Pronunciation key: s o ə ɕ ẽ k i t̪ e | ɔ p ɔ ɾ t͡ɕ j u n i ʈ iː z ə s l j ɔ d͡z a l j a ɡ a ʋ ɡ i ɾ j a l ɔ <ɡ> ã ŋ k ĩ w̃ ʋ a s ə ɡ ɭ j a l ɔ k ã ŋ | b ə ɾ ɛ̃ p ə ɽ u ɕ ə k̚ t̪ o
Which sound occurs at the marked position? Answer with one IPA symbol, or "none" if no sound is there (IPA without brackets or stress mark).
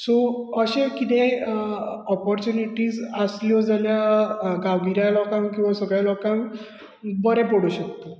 k